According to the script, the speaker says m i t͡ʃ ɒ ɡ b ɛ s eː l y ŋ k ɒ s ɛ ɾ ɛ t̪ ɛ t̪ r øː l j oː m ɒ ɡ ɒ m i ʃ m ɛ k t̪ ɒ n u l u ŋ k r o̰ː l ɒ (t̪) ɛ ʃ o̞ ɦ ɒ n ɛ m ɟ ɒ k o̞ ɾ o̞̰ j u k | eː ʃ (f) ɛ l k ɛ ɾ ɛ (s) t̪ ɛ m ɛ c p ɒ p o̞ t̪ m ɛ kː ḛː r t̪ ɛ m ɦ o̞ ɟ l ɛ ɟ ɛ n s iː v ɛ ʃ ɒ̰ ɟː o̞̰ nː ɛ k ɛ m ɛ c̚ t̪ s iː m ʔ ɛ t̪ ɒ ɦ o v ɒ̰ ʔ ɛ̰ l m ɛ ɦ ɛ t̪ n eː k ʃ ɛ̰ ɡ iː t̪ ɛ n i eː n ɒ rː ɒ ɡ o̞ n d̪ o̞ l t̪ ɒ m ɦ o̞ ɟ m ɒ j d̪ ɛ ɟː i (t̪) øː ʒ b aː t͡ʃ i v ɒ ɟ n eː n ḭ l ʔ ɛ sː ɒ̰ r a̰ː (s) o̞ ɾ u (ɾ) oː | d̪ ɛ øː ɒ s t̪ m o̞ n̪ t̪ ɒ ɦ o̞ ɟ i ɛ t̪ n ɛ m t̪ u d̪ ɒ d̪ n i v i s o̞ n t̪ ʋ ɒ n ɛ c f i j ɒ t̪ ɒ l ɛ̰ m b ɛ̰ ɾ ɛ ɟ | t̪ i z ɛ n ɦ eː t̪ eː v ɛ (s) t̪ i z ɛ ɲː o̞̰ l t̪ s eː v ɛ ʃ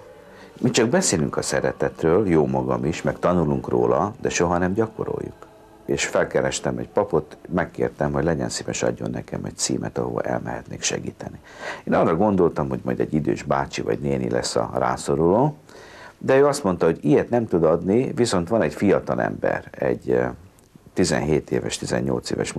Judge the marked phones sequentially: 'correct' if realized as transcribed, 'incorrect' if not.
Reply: incorrect: d̪, correct, incorrect: ʃ, incorrect: d̪, correct, incorrect: l, incorrect: ʃ

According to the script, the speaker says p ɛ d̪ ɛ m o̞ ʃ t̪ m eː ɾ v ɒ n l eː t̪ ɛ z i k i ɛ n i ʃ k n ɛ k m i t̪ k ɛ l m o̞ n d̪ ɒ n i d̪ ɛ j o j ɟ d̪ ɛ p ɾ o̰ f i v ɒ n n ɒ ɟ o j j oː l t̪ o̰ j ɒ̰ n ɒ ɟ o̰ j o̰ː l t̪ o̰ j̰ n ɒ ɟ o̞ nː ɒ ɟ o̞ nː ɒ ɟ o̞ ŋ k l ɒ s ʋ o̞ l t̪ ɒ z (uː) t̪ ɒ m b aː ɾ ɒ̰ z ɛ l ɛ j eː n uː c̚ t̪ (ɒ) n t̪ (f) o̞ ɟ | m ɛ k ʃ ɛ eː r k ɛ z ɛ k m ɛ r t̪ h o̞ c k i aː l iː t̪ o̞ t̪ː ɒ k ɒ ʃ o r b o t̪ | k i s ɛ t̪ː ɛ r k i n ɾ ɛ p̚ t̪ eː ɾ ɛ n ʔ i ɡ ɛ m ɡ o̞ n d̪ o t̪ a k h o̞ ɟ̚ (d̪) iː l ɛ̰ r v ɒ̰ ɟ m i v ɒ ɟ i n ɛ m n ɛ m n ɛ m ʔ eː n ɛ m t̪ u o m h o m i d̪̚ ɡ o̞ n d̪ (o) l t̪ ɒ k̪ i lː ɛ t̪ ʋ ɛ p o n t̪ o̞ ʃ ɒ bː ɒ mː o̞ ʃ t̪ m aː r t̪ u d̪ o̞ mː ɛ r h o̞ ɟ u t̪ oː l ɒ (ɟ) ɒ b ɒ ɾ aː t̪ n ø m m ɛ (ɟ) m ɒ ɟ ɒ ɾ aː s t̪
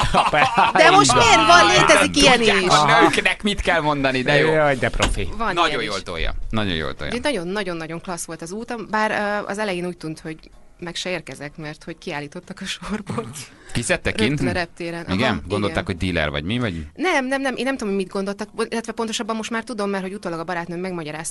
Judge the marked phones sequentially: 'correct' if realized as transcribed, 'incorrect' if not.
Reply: correct, incorrect: u, incorrect: h, correct, correct, incorrect: ɡ, incorrect: ɡ

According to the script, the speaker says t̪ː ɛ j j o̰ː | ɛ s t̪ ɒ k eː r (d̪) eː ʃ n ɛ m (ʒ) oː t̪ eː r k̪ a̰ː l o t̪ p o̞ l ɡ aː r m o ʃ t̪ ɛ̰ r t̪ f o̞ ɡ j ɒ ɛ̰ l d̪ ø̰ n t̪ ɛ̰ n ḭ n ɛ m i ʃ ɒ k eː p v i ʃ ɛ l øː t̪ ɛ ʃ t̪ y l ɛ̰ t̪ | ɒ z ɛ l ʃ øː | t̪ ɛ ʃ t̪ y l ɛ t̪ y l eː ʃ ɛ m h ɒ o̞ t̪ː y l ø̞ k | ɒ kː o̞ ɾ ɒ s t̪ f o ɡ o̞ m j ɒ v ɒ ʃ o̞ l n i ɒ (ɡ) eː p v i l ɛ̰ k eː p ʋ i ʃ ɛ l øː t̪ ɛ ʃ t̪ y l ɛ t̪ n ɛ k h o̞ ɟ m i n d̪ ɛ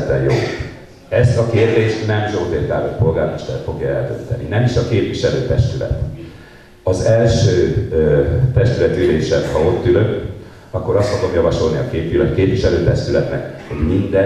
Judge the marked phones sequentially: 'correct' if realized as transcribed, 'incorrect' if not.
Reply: correct, correct, incorrect: k

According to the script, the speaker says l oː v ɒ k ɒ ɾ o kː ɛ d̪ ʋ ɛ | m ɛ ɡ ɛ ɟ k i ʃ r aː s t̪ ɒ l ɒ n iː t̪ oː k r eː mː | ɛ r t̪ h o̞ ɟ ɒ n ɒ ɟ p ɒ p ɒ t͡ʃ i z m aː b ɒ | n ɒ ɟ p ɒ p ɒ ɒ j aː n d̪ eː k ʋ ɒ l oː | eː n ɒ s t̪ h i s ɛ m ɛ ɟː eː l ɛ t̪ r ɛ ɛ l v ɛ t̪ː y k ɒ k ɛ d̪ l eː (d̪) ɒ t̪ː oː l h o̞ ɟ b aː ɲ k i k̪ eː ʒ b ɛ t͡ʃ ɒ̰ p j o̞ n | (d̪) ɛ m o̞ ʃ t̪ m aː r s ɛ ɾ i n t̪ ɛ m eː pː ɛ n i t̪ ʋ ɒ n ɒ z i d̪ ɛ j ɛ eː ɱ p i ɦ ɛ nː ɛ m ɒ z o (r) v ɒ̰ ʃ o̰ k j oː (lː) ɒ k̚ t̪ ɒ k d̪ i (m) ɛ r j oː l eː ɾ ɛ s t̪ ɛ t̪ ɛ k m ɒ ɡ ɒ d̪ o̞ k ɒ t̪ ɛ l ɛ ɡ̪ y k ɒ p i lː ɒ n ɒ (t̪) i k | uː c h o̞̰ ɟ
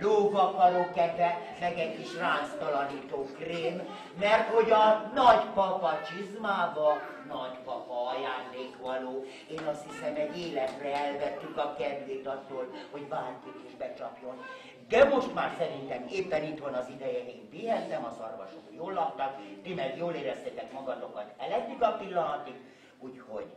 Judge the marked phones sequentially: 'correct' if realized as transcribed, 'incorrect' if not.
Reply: incorrect: t̪, correct, correct, correct, correct, correct

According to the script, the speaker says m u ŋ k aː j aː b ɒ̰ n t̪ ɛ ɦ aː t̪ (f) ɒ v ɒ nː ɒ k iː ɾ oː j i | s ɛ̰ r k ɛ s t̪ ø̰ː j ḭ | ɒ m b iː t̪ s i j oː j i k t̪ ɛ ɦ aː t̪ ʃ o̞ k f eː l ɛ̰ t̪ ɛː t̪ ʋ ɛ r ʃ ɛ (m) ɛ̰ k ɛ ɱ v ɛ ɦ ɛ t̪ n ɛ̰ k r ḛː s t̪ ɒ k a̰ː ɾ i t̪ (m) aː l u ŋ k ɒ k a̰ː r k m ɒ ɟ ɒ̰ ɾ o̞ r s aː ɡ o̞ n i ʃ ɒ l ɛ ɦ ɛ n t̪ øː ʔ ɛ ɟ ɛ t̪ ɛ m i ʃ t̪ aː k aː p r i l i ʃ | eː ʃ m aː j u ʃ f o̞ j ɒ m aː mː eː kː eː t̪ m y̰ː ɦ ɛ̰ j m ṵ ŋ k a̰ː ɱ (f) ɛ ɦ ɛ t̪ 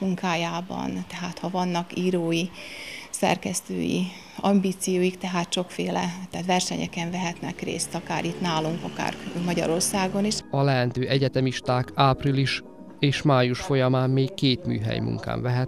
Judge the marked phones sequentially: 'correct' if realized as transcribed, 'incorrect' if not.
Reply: incorrect: h, incorrect: ɲ, incorrect: n, incorrect: v

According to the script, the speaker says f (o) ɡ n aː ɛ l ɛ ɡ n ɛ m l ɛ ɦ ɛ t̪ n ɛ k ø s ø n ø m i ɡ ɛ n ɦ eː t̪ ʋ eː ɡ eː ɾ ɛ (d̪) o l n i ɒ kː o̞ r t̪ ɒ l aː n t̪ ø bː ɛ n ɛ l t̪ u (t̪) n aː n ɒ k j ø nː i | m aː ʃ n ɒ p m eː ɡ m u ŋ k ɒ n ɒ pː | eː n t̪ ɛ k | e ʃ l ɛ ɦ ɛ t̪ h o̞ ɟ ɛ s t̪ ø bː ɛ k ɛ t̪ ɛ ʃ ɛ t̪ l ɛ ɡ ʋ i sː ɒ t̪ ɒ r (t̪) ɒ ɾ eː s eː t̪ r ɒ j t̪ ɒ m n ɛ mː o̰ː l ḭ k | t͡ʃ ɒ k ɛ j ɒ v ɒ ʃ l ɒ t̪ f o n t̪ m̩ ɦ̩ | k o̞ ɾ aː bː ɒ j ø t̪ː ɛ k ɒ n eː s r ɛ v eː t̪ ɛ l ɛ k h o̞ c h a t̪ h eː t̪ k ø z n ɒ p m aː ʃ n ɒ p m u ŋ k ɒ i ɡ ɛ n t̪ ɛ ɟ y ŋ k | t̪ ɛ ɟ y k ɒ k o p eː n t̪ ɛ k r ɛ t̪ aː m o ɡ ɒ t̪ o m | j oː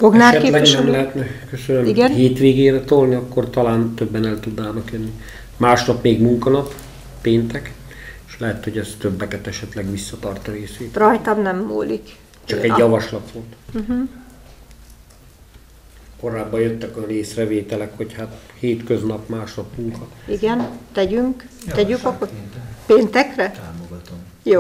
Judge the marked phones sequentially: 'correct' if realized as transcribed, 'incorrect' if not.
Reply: correct, incorrect: t̪, incorrect: d̪, correct

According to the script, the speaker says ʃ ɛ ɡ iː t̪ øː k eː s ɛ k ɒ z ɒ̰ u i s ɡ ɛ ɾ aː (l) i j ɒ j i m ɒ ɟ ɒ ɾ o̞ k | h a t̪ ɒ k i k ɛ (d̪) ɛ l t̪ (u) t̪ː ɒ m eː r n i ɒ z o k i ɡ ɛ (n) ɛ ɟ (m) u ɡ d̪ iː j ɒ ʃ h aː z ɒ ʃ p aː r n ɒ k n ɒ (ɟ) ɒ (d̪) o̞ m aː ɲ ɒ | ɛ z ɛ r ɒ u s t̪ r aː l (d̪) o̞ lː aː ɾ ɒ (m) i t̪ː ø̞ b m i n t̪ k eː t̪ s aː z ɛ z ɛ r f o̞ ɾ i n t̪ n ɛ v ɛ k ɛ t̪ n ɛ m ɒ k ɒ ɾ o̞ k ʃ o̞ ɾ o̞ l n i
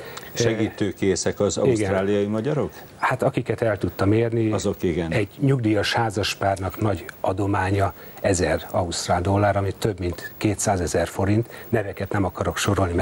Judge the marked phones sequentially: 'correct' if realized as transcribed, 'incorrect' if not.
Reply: correct, incorrect: t̪, correct, correct, incorrect: ɲ, correct, correct, correct, correct

